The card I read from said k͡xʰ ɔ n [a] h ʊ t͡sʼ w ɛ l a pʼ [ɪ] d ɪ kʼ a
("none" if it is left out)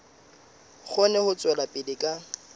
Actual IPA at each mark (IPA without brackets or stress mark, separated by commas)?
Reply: ɛ, ɪ